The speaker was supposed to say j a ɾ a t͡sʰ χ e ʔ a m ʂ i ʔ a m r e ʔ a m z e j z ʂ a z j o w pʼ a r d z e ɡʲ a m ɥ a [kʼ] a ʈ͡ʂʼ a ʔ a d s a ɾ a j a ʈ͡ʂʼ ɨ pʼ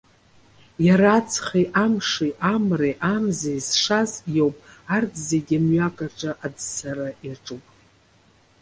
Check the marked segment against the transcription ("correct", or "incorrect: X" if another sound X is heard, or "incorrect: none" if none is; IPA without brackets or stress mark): correct